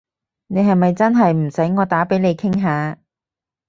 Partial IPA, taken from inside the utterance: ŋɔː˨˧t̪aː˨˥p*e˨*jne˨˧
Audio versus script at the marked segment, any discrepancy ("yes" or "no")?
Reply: yes